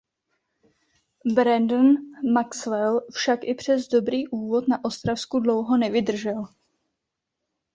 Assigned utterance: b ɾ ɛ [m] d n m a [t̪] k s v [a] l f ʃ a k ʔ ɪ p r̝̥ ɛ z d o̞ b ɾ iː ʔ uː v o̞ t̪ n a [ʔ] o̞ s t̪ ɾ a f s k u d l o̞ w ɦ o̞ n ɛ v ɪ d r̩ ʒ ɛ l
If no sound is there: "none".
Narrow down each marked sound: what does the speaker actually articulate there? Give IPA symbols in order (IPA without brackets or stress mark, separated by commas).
n, none, ɛ, ʔ